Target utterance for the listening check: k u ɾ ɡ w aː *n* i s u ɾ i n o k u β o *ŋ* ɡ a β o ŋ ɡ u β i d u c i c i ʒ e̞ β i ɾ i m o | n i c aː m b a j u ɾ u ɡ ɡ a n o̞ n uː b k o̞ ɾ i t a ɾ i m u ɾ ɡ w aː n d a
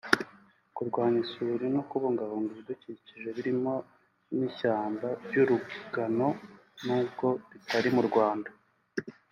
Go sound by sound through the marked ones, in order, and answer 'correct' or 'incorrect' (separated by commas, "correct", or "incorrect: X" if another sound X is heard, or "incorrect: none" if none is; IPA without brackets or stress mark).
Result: incorrect: ɲ, correct